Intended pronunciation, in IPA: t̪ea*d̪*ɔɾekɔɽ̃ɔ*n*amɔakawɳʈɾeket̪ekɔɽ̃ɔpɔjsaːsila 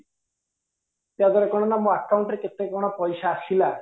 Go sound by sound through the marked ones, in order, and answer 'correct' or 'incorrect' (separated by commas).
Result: correct, correct